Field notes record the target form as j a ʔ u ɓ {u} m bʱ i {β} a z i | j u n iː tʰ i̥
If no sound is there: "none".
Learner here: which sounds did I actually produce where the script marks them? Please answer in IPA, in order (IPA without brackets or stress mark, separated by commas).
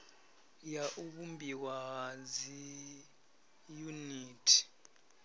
u, w